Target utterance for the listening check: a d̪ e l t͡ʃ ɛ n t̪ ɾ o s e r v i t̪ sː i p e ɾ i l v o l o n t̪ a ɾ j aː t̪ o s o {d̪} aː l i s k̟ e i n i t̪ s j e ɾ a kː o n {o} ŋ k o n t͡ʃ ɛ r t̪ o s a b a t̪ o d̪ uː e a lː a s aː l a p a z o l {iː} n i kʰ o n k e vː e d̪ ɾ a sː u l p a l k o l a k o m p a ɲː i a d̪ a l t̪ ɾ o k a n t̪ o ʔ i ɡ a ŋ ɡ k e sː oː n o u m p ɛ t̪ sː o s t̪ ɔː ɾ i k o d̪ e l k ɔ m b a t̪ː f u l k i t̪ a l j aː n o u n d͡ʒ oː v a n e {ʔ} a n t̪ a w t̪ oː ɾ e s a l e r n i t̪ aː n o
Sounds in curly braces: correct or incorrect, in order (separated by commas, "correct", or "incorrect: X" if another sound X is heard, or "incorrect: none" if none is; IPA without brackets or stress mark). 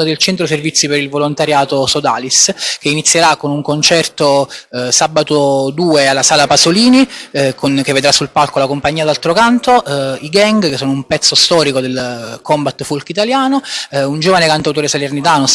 correct, incorrect: u, correct, incorrect: k